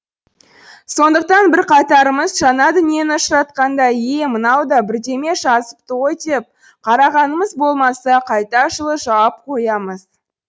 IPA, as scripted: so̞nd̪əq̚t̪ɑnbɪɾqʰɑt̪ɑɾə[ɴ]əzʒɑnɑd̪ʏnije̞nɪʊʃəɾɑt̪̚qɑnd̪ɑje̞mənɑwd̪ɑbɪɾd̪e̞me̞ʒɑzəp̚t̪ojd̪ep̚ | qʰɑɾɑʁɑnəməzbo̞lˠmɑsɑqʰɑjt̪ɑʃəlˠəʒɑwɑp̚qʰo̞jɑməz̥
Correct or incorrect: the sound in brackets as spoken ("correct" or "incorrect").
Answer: incorrect